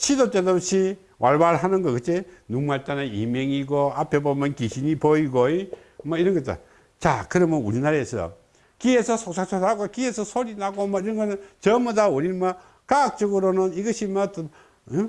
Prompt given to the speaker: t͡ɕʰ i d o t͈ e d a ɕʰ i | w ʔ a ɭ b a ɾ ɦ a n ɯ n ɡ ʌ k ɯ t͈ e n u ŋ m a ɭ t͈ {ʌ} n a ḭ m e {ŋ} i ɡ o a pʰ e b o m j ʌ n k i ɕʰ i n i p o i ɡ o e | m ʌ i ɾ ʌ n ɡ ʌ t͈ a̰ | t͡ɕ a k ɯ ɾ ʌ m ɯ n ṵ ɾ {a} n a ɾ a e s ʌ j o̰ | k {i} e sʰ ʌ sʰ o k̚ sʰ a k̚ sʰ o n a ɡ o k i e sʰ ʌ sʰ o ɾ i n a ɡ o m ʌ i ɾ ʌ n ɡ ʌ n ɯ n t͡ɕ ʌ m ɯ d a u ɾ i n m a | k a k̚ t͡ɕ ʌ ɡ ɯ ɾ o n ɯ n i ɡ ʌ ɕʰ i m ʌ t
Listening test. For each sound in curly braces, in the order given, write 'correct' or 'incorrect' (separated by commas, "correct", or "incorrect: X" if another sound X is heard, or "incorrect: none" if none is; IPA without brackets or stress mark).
incorrect: a, correct, incorrect: i, correct